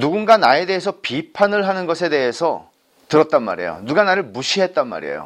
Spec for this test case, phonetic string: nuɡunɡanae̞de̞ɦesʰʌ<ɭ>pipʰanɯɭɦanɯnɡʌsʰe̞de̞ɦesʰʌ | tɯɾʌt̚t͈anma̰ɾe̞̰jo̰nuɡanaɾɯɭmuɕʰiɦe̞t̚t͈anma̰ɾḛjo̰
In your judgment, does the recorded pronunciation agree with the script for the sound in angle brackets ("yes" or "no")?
no